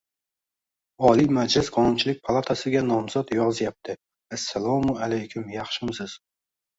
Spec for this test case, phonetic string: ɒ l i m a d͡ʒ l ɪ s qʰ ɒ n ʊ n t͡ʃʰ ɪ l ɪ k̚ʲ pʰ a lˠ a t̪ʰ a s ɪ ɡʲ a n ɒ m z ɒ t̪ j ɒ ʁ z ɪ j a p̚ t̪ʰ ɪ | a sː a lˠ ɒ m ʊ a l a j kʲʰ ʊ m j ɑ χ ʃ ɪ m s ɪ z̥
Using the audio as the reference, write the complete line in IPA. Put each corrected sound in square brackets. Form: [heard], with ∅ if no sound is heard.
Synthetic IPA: ɒ l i m a d͡ʒ l ɪ s qʰ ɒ n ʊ n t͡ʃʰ ɪ l ɪ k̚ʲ pʰ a lˠ a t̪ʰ a s ɪ ɡʲ a n ɒ m z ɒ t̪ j ɒ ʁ z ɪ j a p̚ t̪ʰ ɪ | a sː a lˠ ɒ m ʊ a l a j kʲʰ ʊ m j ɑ χ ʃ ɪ m s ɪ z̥